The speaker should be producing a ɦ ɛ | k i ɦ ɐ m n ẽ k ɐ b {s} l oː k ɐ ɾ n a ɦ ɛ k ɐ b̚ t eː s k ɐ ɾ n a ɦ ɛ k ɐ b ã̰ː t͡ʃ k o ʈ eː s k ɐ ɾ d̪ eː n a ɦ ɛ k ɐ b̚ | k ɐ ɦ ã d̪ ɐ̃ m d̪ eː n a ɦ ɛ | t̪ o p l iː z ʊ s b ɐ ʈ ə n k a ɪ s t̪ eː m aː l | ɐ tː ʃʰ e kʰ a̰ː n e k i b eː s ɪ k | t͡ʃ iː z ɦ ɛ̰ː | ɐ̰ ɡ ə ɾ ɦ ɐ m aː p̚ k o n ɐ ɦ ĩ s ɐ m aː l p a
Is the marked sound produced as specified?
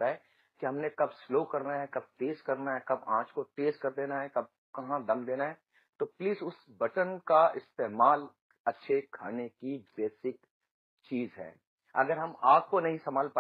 yes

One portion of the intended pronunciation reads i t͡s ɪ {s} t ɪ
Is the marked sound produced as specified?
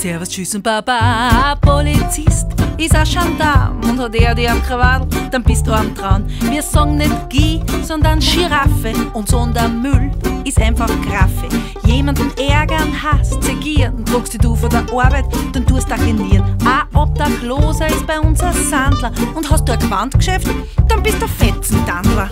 yes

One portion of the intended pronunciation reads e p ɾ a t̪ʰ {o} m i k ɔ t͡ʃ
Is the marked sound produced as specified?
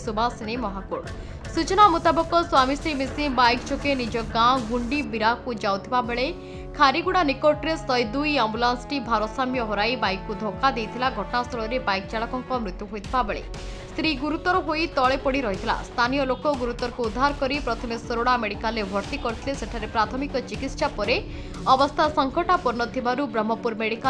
no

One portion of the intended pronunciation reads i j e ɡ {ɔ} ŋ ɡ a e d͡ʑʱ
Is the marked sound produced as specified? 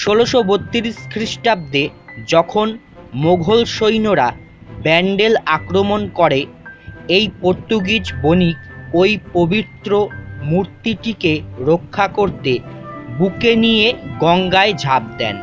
yes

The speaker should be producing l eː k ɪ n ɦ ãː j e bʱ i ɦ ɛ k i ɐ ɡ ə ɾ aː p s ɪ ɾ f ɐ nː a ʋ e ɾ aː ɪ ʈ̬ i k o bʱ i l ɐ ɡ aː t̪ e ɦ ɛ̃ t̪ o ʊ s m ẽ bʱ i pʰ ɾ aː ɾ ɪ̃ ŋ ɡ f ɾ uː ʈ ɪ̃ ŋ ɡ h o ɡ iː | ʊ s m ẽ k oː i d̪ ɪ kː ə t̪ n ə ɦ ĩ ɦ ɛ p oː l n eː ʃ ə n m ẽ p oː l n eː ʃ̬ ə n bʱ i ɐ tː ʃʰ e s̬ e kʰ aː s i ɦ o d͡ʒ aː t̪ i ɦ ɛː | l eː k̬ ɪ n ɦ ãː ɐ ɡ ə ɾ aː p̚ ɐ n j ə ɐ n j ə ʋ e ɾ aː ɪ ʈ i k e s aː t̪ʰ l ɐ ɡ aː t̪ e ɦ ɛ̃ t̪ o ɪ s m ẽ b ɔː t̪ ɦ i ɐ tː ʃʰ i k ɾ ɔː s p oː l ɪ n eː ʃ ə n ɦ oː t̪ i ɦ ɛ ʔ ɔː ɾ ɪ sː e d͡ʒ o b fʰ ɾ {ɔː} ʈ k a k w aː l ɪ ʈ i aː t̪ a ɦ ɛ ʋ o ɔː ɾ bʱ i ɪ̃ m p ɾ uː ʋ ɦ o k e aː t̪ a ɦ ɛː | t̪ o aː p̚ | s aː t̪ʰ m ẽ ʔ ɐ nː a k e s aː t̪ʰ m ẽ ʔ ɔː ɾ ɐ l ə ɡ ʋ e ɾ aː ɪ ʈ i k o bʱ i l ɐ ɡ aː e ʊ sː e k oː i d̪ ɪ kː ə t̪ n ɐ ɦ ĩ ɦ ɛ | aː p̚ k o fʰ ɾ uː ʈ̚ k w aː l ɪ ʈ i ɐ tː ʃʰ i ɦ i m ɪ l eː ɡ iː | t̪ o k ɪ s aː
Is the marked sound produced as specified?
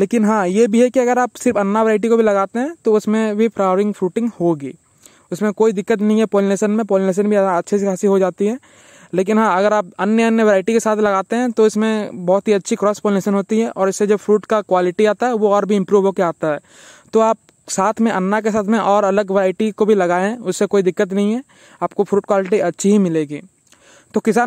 no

